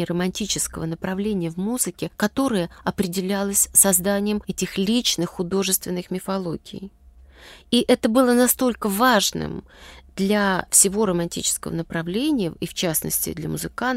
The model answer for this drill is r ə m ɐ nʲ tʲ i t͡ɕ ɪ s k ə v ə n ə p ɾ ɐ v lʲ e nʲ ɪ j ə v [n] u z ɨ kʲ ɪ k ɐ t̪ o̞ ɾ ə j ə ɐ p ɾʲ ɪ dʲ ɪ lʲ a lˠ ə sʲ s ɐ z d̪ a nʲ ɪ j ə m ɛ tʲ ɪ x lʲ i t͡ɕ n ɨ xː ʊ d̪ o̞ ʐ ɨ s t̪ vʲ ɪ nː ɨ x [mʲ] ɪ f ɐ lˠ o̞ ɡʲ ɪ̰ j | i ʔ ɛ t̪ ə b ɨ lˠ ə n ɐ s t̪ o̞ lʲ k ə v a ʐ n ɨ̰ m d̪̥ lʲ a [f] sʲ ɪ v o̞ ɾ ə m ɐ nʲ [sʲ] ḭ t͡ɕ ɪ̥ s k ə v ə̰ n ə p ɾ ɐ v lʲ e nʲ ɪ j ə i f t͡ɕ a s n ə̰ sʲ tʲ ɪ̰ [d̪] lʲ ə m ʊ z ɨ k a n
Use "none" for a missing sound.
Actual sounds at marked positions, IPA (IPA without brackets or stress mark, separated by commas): m, mʲ, f, tʲ, d̪